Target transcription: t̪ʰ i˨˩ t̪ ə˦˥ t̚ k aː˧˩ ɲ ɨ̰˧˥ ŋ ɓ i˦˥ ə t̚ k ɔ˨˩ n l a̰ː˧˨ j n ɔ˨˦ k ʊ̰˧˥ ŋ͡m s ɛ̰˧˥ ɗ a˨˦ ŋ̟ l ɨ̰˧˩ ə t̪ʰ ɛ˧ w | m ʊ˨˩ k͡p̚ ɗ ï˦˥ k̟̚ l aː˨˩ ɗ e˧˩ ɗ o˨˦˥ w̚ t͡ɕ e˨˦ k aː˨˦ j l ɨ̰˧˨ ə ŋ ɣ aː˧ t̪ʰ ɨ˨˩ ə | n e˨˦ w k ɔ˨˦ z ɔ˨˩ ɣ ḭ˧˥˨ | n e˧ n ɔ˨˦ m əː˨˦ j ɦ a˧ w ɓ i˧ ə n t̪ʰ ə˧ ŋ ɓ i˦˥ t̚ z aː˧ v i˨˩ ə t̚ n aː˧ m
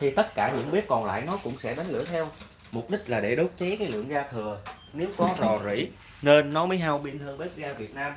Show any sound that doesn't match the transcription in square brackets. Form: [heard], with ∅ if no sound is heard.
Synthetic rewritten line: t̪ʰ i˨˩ t̪ ə˦˥ t̚ k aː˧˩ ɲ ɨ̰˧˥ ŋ ɓ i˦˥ ə t̚ k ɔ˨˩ n l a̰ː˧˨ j n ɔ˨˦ k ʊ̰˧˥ ŋ͡m s ɛ̰˧˥ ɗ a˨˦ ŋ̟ l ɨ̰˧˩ ə t̪ʰ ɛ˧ w | m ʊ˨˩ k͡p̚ ɗ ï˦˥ k̟̚ l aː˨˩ ɗ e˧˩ ɗ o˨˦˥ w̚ t͡ɕ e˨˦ k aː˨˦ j l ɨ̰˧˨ ə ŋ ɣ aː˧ t̪ʰ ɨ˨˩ ə | n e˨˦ w k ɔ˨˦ z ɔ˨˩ [z] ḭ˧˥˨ | n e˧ [nː] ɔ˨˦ m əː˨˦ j ɦ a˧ w ɓ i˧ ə n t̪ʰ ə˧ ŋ ɓ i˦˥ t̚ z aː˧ v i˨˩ ə t̚ n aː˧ m